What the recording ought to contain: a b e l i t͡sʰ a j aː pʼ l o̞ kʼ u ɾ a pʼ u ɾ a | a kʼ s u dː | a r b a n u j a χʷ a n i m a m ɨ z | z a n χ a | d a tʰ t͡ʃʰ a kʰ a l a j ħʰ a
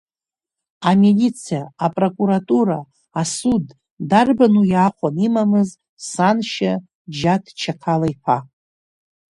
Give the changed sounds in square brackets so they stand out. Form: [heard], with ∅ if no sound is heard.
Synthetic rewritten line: a [m] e l i t͡sʰ [i] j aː pʼ [r] o̞ kʼ u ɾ a [tʼ] u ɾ a | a [∅] s u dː | a r b a n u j a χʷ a n i m a m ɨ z | [s] a n [ʃ] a | [d͡ʒ] a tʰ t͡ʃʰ a kʰ a l a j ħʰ a